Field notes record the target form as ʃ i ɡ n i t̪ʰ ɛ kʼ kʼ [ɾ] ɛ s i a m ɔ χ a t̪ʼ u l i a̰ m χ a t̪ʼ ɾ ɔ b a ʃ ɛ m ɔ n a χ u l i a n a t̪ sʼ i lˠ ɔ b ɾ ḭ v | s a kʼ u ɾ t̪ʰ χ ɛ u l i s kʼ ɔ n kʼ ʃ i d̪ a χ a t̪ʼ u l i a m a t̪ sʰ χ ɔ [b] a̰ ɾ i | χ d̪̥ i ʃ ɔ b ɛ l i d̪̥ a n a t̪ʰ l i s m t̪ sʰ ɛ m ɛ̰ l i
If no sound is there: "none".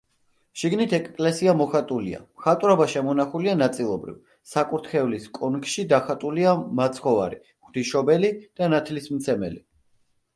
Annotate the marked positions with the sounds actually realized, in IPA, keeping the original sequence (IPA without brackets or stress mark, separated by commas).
l, v